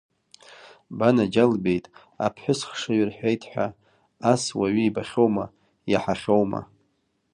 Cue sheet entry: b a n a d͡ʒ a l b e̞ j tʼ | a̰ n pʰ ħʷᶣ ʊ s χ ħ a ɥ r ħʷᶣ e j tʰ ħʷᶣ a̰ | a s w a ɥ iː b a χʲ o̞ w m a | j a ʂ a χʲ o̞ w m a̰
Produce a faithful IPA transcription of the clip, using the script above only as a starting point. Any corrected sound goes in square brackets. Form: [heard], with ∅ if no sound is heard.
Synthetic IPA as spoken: b a n a d͡ʒ a l b e̞ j tʼ | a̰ [∅] pʰ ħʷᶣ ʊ s χ [ʂ] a ɥ r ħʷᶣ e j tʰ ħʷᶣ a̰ | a s w a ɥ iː b a χʲ o̞ w m a | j a [ħ] a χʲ o̞ w m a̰